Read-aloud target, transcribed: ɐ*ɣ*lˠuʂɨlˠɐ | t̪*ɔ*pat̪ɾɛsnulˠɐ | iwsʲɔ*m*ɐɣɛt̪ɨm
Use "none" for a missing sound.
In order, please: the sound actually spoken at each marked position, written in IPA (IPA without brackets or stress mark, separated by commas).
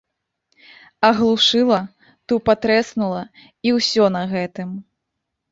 ɣ, u, n